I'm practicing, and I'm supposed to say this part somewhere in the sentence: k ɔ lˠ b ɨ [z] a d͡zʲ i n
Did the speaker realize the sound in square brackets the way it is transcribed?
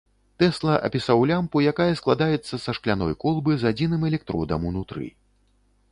yes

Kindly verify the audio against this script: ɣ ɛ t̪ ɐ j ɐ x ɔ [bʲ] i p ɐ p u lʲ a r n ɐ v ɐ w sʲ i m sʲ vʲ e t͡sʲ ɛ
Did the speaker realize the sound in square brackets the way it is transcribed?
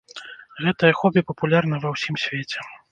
yes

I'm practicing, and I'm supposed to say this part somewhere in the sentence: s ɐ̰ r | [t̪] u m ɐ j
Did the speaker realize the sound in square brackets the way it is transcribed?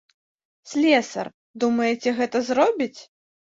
no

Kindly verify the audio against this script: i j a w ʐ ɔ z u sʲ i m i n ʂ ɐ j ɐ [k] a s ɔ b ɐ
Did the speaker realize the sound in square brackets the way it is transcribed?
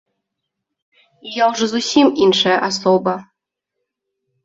no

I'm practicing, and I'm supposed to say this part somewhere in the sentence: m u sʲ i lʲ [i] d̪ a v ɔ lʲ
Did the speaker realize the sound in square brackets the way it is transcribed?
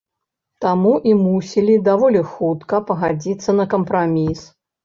yes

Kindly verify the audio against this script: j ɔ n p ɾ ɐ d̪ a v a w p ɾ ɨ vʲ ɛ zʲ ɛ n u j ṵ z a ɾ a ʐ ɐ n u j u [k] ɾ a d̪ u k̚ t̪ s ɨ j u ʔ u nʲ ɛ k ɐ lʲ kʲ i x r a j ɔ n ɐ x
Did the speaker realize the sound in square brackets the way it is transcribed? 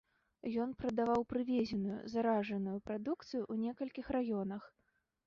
no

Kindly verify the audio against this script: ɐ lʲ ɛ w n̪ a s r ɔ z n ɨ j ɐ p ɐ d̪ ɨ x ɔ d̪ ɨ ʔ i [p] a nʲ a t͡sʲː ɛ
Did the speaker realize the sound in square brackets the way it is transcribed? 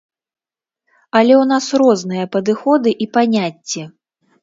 yes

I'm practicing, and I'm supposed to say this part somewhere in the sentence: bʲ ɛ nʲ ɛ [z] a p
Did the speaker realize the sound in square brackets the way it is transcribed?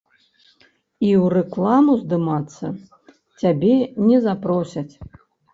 yes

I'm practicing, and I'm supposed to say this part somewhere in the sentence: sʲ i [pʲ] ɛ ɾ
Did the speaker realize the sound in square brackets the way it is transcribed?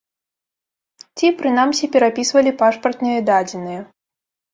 yes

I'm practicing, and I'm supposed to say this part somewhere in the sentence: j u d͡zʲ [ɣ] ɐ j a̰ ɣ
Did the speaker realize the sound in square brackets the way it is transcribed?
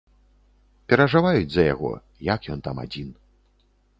no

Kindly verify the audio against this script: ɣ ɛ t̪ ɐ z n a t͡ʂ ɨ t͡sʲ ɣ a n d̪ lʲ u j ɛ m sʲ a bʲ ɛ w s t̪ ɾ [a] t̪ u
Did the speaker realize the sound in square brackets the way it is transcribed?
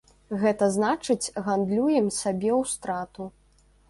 yes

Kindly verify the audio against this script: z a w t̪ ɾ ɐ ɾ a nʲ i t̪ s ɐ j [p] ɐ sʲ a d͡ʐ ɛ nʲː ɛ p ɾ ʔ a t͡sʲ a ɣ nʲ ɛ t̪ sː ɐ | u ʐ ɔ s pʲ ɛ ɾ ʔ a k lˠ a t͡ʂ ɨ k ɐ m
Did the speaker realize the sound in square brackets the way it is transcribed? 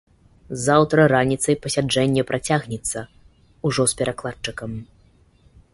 yes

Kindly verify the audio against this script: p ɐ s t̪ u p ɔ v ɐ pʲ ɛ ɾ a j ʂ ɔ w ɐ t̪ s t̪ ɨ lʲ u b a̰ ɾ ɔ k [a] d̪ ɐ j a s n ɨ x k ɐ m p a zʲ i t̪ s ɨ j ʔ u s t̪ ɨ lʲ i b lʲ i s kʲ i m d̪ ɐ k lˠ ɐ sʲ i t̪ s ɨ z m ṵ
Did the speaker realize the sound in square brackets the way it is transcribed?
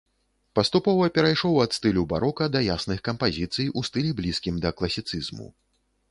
no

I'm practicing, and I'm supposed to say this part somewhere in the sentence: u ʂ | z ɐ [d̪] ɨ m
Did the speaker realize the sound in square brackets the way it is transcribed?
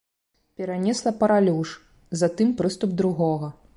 no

